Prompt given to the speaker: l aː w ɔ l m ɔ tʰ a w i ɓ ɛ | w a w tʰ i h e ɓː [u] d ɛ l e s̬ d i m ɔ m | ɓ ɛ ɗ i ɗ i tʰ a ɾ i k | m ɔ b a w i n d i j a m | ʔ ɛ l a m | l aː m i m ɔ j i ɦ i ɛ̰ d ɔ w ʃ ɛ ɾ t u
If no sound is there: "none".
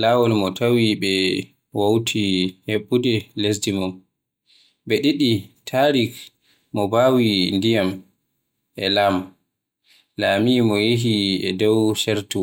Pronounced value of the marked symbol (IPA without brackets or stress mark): u